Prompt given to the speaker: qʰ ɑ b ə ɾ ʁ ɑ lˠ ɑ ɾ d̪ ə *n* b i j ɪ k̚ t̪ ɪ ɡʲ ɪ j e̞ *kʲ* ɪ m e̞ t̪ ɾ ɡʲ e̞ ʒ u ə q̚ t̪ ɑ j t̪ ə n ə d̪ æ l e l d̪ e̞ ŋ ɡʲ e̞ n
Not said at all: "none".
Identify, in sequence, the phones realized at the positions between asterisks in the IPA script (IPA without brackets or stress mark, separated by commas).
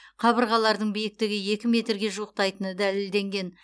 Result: ɴ, kʲ